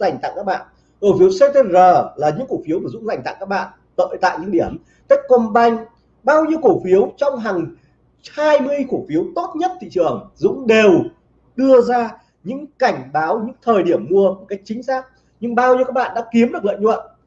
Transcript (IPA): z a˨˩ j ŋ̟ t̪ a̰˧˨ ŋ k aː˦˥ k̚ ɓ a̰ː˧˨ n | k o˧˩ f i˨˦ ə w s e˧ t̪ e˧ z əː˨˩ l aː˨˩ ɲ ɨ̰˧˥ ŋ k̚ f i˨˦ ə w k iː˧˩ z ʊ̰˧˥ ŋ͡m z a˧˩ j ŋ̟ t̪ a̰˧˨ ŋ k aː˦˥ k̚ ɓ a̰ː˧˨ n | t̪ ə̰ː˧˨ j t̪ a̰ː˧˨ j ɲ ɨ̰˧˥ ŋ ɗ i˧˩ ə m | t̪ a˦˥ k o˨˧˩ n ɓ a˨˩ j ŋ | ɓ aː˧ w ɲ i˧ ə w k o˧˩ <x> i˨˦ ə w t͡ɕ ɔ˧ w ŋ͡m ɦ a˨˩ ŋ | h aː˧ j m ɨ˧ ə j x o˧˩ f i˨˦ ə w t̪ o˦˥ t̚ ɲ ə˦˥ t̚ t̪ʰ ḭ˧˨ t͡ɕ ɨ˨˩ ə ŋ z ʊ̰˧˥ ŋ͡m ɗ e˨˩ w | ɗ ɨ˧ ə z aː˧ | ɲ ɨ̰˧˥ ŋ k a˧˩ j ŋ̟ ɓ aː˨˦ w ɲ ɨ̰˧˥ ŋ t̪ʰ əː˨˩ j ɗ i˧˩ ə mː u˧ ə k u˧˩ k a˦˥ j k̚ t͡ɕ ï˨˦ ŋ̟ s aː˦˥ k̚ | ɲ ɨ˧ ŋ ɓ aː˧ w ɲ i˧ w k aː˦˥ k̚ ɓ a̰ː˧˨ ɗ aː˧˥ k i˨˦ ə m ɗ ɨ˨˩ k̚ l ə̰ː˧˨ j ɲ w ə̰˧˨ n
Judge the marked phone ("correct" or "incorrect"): incorrect